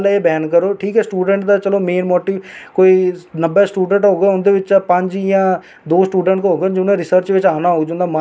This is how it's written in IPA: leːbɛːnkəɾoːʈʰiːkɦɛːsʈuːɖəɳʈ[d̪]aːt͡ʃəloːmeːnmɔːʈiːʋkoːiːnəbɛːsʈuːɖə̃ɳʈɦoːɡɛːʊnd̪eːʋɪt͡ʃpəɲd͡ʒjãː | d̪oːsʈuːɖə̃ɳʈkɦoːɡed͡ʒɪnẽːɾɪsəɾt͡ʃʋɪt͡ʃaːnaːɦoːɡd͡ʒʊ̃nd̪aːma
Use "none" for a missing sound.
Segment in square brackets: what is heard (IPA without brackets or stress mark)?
d̪